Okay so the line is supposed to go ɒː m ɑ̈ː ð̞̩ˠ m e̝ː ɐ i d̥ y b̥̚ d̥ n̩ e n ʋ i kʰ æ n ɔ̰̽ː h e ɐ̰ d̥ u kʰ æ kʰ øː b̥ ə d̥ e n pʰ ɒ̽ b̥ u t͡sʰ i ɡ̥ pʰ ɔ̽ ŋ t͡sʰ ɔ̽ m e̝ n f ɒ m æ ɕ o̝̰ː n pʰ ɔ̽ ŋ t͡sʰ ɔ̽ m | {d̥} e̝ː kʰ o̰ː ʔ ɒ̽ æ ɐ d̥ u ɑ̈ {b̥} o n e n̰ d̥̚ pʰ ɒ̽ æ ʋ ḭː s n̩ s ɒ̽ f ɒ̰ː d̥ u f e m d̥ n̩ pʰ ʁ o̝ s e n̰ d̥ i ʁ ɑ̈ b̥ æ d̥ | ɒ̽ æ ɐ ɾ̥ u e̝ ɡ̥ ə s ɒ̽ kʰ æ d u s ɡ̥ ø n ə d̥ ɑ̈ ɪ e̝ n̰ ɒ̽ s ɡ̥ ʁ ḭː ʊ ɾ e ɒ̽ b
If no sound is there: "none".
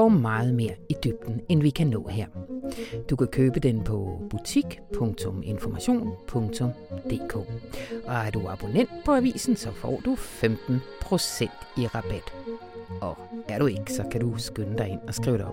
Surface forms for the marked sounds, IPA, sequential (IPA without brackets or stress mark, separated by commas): d̥, b̥